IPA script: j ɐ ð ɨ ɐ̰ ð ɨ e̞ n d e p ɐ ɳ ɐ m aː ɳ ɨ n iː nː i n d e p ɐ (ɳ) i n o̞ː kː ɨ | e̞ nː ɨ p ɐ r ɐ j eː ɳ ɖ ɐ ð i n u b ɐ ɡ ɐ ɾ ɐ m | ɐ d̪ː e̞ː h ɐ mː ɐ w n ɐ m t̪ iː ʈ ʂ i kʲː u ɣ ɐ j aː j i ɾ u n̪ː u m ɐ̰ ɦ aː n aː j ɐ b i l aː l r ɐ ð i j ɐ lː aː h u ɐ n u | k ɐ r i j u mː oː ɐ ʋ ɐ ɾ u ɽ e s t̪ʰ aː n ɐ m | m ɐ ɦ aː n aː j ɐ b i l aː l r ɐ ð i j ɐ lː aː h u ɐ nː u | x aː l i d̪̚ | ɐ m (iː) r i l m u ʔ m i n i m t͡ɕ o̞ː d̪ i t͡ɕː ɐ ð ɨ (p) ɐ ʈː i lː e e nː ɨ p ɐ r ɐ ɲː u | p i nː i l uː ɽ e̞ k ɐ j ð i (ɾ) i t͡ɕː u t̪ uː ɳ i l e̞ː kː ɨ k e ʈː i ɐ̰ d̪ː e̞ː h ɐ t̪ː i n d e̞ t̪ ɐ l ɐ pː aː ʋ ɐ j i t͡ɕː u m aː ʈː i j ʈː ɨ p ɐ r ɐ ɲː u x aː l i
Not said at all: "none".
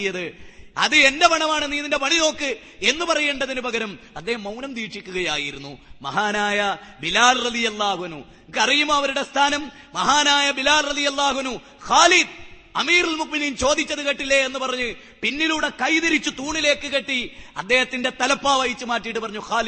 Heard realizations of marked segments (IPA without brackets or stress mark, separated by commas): ɳ, iː, k, ɾ